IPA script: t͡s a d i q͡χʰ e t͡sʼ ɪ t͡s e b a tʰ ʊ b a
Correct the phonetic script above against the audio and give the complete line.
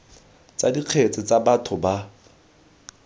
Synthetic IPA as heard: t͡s a d i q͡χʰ e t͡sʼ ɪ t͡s a b a tʰ ʊ b a